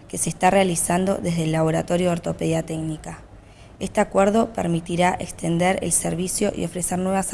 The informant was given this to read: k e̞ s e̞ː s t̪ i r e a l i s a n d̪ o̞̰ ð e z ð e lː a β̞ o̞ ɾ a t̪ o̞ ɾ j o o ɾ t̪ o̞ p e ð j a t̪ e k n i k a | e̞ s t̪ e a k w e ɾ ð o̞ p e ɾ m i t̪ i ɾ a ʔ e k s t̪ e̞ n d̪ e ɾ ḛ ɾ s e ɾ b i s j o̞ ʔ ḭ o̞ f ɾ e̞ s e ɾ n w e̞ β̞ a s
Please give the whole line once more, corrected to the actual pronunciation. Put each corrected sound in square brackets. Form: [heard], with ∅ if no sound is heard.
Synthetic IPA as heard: k e̞ s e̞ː s t̪ [a] r e a l i s a n d̪ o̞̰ ð e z ð e lː a β̞ o̞ ɾ a t̪ o̞ ɾ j o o ɾ t̪ o̞ p e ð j a t̪ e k n i k a | e̞ s t̪ e a k w e ɾ ð o̞ p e ɾ m i t̪ i ɾ a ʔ e k s t̪ e̞ n d̪ e ɾ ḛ [l] s e ɾ [β] i s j o̞ ʔ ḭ o̞ f ɾ e̞ s e ɾ n w e̞ β̞ a s